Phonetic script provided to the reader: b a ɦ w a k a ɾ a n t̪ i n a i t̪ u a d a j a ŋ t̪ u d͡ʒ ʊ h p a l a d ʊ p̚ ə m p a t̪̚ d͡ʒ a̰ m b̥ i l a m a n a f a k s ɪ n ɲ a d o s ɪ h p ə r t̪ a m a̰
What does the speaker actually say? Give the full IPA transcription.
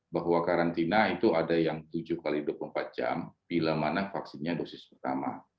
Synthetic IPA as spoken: b a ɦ w a k a ɾ a n t̪ i n a i t̪ u a d a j a ŋ t̪ u d͡ʒ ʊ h k a l i d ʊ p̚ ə m p a t̪̚ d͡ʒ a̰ m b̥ i l a m a n a f a k s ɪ n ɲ a d o s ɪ s p ə r t̪ a m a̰